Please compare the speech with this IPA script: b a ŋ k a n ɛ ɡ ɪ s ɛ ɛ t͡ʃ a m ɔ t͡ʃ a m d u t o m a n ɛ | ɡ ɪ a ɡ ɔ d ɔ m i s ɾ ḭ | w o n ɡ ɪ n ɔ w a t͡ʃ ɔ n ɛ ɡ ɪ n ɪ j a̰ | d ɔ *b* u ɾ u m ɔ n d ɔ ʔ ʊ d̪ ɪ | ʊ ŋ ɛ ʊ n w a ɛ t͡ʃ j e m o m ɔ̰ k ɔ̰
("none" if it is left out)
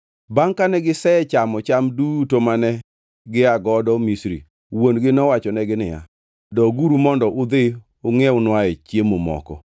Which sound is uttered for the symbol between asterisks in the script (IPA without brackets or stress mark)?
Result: ɡ